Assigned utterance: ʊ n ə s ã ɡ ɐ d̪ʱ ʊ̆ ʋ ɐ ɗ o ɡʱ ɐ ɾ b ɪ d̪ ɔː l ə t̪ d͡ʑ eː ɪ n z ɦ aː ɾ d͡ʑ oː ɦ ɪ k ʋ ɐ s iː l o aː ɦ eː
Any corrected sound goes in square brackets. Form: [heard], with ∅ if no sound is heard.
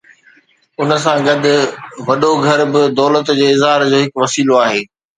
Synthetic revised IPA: ʊ n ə s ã ɡ ɐ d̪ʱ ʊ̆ ʋ ɐ ɗ o ɡʱ ɐ ɾ b ɪ d̪ ɔː l ə t̪ d͡ʑ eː ɪ [∅] z ɦ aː ɾ d͡ʑ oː ɦ ɪ k ʋ ɐ s iː l o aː ɦ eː